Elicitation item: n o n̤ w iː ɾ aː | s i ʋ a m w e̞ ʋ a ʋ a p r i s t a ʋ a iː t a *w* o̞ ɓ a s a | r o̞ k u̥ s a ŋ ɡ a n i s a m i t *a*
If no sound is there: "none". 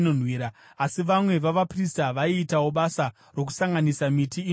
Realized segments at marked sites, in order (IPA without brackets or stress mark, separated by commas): w, i